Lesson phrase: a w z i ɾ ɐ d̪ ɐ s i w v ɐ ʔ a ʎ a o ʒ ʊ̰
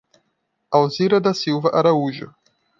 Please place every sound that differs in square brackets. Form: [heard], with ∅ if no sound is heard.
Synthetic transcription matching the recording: a w z i ɾ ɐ d̪ ɐ s i w v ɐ ʔ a [ɾ] a [u] ʒ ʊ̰